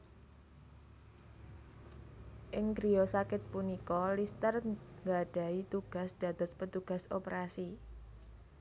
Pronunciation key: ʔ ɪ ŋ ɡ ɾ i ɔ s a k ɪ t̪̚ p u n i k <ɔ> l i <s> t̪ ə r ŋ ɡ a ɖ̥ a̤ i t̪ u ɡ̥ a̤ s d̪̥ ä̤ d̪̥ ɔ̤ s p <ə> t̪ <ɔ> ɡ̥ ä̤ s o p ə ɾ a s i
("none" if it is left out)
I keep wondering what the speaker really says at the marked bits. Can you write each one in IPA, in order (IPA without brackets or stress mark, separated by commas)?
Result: ɔ, s, ə, u